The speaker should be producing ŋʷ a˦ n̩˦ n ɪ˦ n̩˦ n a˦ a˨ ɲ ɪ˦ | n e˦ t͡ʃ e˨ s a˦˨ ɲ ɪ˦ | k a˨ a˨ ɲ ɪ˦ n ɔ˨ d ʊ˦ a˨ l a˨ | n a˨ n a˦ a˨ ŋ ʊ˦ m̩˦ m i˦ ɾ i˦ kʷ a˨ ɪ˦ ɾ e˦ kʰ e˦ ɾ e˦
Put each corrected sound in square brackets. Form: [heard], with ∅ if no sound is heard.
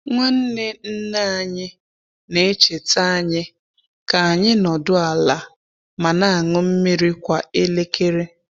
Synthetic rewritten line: ŋʷ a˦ n̩˦ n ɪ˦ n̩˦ n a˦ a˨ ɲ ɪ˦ | n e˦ t͡ʃ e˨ [t] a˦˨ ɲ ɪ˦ | k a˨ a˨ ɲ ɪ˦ n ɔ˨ d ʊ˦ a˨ l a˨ | [m] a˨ n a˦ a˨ ŋ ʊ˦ m̩˦ m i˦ ɾ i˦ kʷ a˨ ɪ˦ [l] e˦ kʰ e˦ ɾ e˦